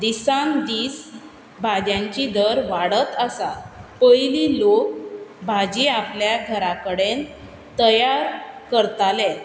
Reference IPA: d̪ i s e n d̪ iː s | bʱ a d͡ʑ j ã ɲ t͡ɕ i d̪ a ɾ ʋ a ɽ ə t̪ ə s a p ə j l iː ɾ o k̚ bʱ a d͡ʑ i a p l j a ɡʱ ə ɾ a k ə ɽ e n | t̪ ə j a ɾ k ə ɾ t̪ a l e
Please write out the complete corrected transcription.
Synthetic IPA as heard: d̪ i s a n d̪ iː s | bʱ a d͡ʑ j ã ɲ t͡ɕ i d̪ ə ɾ ʋ a ɽ ə t̪ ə s a p ə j l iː l o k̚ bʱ a d͡ʑ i a p l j a ɡʱ ə ɾ a k ə ɽ e n | t̪ ə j a ɾ k ə ɾ t̪ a l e

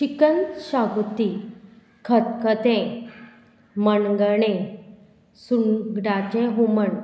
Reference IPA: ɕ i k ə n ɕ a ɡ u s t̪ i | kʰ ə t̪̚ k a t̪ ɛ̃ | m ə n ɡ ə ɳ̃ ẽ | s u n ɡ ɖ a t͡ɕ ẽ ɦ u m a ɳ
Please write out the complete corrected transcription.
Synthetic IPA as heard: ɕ i k ə n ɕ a ɡ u t̪ i | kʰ ə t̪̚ k ə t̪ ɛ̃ | m ə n ɡ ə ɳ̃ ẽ | s u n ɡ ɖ a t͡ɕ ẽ ɦ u m ə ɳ

